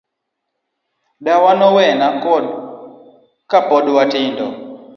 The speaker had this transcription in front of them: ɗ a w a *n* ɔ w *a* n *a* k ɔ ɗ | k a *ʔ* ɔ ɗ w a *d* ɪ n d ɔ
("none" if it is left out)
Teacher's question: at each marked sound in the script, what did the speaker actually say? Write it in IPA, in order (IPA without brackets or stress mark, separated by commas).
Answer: n, ɛ, a, p, t